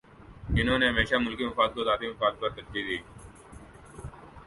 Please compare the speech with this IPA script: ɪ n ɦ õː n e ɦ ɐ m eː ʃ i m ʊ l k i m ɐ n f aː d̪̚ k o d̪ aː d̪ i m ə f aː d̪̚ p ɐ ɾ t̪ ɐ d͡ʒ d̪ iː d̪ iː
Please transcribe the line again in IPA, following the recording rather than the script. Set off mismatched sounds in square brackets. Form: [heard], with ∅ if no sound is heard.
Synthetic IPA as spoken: ɪ n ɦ õː n e ɦ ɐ m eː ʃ [a] m ʊ l k i m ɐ [∅] f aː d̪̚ k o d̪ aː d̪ i m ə f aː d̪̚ p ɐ ɾ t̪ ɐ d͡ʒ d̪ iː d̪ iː